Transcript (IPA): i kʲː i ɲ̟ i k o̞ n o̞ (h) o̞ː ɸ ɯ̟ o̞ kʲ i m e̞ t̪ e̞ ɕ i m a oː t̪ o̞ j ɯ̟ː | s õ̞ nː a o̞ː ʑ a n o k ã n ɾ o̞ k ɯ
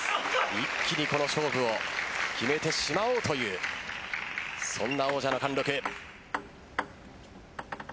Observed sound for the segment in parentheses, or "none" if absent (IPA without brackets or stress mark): ɕ